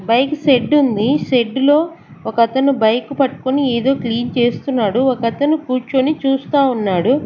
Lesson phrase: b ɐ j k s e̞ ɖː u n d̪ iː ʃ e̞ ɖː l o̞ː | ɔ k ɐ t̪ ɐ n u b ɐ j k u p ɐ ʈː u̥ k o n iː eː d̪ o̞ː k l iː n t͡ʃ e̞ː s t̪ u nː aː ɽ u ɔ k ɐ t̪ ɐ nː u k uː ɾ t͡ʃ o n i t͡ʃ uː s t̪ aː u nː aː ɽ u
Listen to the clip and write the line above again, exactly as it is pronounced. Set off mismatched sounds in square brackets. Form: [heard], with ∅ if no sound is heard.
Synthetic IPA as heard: b ɐ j k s e̞ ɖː u n d̪ [i] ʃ e̞ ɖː l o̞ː | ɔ k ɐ t̪ ɐ n u b ɐ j k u p ɐ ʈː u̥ k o n [i] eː d̪ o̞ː k l iː n t͡ʃ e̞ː s t̪ u nː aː ɽ u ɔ k ɐ t̪ ɐ [n] u k uː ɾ t͡ʃ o n i t͡ʃ uː s t̪ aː u nː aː ɽ u